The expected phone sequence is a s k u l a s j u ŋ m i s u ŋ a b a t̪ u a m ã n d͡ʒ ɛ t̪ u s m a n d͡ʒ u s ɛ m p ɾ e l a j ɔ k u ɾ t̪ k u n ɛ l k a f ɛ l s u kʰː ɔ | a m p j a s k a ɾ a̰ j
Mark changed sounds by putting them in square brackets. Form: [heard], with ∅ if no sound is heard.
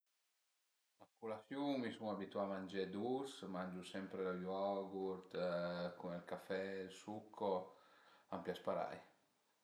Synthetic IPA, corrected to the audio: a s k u l a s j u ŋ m i s u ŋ a b [i] t̪ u a m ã n d͡ʒ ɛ [d̪] u s m a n d͡ʒ u s ɛ m p ɾ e l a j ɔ [ɡ] u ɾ t̪ k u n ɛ l k a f ɛ l s u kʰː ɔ | a m p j a s [p] a ɾ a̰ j